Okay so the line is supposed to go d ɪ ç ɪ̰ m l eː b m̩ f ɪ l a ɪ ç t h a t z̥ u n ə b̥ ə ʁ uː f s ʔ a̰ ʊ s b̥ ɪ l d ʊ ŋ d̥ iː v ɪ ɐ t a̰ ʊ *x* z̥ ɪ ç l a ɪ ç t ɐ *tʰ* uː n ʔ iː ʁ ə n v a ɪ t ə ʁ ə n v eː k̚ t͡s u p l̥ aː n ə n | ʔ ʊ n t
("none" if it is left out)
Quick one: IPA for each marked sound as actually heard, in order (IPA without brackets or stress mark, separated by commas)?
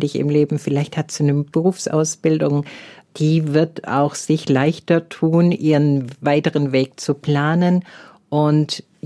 x, tʰ